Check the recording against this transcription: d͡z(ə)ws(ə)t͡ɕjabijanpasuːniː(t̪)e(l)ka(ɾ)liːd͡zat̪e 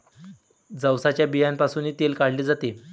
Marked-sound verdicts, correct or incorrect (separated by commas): correct, incorrect, correct, correct, incorrect